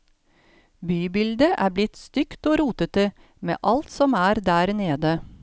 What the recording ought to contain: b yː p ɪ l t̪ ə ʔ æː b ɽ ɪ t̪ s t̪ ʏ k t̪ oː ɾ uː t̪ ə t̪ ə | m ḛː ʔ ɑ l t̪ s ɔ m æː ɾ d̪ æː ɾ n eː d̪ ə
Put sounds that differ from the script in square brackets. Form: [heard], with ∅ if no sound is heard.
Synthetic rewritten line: b yː [b] ɪ l [d̪] ə ʔ æː b [l] ɪ t̪ s t̪ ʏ k t̪ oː ɾ uː t̪ ə t̪ ə | m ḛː ʔ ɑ l t̪ s ɔ m æː ɾ d̪ æː ɾ n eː d̪ ə